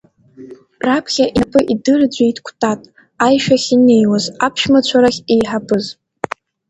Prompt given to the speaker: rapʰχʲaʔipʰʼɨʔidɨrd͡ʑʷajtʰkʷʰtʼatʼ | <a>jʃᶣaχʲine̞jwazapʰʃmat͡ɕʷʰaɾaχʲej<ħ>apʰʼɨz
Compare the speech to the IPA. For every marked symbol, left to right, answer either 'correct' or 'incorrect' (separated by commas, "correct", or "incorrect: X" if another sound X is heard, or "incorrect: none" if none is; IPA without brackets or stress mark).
correct, correct